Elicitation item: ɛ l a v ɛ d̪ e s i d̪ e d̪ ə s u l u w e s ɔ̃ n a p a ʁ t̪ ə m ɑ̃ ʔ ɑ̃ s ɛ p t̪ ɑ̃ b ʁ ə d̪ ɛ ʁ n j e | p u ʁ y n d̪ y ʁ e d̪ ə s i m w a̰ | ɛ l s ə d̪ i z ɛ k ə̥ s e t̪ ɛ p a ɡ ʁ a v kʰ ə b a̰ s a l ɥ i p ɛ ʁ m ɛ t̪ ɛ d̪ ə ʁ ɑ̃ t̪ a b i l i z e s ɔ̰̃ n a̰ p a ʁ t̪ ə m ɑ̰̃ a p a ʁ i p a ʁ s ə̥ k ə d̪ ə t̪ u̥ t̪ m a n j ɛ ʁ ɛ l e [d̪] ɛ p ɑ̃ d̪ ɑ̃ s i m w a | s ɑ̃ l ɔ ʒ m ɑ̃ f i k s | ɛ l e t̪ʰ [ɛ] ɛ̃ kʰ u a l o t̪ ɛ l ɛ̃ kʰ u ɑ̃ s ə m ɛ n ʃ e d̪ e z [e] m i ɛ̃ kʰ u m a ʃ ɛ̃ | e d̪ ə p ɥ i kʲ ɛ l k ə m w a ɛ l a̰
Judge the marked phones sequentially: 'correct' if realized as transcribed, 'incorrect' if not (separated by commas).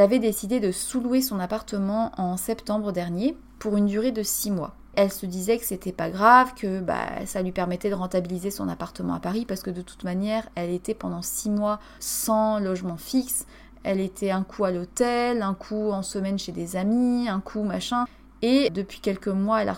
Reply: incorrect, correct, incorrect